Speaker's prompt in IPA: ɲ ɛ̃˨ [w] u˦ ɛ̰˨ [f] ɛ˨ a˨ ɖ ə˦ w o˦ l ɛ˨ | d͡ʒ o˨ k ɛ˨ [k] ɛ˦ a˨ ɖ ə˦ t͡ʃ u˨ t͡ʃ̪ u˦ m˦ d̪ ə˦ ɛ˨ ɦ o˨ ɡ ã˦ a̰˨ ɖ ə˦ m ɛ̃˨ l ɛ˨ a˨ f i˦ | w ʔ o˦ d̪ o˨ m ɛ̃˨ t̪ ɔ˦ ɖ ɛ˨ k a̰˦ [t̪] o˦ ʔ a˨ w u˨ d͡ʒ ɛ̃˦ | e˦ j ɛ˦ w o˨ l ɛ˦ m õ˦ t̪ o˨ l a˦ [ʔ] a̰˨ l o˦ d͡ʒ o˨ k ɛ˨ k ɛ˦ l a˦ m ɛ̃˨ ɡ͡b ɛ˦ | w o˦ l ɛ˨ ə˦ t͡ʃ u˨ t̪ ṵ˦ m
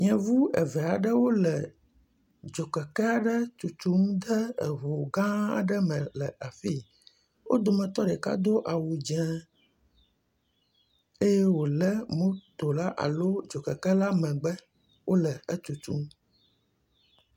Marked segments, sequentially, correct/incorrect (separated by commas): incorrect, incorrect, correct, incorrect, correct